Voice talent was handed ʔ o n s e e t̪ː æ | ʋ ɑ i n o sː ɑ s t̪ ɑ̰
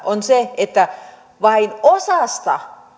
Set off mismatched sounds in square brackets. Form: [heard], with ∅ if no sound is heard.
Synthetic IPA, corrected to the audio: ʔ o n s e e t̪ː æ | ʋ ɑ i n o [s] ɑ s t̪ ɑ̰

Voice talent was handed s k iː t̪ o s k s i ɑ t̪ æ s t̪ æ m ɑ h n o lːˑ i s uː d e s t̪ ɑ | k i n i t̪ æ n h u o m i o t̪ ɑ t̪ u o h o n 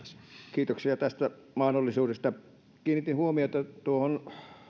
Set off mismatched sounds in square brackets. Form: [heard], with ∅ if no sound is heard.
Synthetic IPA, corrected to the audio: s k iː t̪ o [∅] k s i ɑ t̪ æ s t̪ æ m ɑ h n o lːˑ i s uː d e s t̪ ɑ | k [iː] n i t̪ [i] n h u o m i o t̪ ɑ t̪ u o h o n

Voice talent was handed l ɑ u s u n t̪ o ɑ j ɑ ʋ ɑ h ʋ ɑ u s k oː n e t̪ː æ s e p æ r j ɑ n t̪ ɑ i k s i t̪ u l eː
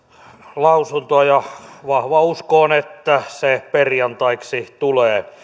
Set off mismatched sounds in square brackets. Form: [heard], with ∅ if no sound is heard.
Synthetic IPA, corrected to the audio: l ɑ u s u n t̪ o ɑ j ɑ ʋ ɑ h ʋ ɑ u s k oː n e t̪ː æ s e p [e] r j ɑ n t̪ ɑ i k s i t̪ u l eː

